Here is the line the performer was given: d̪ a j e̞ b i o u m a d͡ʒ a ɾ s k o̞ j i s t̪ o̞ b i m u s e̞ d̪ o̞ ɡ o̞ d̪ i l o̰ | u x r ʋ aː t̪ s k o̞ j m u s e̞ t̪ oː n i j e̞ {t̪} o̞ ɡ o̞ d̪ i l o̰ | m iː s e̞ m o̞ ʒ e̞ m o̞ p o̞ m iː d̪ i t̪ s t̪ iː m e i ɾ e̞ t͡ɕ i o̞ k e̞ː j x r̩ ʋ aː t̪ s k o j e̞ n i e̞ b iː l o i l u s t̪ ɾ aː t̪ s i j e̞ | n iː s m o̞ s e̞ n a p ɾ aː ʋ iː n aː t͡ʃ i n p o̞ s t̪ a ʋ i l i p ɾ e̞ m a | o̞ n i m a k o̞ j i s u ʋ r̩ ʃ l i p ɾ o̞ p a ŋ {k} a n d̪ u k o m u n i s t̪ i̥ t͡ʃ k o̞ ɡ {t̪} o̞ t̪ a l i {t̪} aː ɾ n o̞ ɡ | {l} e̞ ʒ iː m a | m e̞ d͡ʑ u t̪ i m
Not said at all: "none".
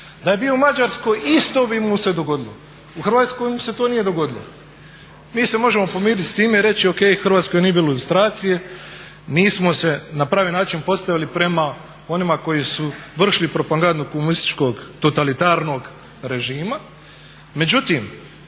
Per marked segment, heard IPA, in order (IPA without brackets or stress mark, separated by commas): d̪, ɡ, t̪, t̪, ɾ